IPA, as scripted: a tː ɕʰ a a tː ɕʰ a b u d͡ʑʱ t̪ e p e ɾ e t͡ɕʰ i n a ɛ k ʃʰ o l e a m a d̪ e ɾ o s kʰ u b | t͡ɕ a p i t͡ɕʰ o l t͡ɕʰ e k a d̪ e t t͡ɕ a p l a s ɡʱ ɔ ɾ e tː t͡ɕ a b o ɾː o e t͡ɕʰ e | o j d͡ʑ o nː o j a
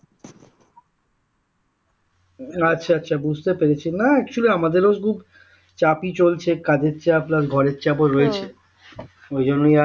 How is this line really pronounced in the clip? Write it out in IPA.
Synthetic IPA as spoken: a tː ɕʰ a a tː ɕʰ a b u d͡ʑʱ t̪ e p e ɾ e t͡ɕʰ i n a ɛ k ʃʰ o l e a m a d̪ e ɾ o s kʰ u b | t͡ɕ a p i t͡ɕ o l t͡ɕʰ e k a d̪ e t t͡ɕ a p l a s ɡʱ ɔ ɾ e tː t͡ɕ a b o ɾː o e t͡ɕʰ e | o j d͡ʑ o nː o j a